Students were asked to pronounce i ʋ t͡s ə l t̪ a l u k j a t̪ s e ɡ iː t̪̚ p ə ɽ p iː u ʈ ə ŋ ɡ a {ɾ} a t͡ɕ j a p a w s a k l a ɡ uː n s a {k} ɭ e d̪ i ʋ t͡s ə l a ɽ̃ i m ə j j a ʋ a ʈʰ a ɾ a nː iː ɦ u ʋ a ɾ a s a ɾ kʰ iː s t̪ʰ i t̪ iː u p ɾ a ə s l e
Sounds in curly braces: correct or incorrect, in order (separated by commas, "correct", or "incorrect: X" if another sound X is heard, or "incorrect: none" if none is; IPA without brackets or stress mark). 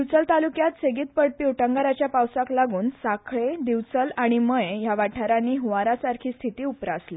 correct, incorrect: kʰ